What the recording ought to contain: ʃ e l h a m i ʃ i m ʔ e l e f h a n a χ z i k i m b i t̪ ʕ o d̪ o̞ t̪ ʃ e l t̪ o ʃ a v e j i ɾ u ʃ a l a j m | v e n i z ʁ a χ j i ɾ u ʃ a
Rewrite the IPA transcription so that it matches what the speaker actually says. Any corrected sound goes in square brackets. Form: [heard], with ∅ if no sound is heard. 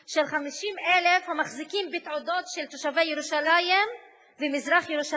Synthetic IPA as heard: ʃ e l [χ] a m i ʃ i m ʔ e l e f h a [m] a χ z i k i m b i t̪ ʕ o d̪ o̞ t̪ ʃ e l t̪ o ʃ a v e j [e] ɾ u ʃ a l a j m | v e [m] i z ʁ a χ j [e] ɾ u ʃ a